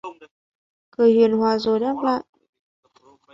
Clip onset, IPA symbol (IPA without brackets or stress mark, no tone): k